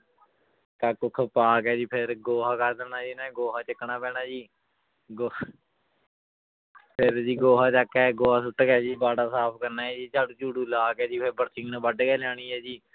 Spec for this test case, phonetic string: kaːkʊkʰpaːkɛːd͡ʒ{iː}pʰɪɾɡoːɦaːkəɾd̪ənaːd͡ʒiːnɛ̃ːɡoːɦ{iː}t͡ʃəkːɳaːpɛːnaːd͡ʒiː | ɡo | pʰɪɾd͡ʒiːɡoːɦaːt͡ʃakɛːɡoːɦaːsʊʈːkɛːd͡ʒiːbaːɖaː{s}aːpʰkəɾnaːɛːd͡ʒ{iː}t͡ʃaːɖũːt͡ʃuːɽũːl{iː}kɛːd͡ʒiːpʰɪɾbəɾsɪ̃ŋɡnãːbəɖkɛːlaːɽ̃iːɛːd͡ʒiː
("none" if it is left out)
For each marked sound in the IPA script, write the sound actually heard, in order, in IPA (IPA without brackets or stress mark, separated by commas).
iː, aː, s, iː, aː